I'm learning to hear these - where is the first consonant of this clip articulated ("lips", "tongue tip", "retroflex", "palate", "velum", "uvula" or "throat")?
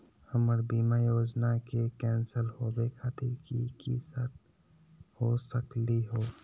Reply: throat